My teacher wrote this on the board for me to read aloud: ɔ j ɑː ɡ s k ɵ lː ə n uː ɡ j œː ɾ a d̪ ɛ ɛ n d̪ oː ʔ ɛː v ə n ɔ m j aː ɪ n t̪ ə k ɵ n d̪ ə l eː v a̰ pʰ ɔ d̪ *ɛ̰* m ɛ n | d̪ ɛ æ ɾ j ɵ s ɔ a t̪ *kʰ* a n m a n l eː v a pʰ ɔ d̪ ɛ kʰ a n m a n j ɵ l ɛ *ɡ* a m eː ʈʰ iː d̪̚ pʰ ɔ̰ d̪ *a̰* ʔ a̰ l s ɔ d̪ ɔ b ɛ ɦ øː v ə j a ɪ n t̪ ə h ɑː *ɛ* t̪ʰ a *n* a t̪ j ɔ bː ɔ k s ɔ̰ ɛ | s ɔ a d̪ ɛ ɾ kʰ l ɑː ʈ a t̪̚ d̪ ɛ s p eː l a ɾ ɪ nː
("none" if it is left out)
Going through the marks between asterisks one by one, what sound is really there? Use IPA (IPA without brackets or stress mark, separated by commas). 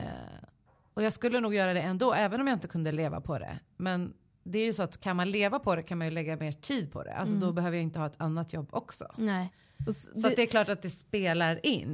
ɛ̰, kʰ, ɡː, ɛ̰, ɛ, nː